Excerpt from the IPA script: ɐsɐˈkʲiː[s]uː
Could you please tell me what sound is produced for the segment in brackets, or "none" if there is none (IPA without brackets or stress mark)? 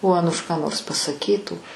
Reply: t